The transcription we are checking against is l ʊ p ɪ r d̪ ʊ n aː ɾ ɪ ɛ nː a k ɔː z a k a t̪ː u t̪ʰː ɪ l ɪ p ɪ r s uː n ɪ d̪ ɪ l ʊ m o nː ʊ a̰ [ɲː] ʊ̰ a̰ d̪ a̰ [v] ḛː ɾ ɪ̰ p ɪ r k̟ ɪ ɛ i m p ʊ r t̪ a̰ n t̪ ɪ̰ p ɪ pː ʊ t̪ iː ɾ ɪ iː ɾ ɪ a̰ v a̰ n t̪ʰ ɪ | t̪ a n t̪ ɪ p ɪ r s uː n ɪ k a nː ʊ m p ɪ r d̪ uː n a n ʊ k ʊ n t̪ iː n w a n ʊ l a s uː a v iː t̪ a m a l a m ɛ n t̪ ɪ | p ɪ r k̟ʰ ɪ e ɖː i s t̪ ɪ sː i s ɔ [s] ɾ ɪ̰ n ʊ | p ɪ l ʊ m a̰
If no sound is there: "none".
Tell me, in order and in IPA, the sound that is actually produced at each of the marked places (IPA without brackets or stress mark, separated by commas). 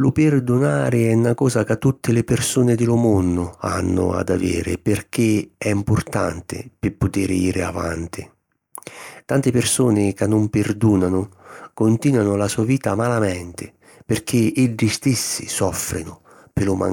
nː, v, f